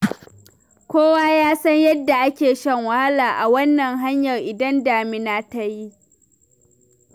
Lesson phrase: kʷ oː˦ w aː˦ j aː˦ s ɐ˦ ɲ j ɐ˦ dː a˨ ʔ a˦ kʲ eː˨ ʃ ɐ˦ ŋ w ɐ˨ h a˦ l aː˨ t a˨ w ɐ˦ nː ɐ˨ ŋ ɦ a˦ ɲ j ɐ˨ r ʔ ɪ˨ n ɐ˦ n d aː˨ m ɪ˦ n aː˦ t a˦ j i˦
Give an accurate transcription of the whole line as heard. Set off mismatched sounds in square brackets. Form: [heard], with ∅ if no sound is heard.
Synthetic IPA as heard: kʷ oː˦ w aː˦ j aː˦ s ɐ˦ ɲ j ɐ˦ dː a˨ ʔ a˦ kʲ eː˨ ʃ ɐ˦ ŋ w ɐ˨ h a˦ l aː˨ [ʔ] a˨ w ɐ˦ nː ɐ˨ ŋ ɦ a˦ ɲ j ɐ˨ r ʔ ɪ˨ [d] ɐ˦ n d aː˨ m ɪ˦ n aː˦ t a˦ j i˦